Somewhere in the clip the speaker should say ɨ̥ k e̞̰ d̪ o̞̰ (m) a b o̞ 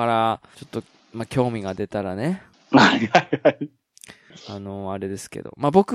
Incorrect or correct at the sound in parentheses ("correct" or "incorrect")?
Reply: correct